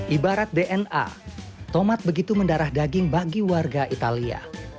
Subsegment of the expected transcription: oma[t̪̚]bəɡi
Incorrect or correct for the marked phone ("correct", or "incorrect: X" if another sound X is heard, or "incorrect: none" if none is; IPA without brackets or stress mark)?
correct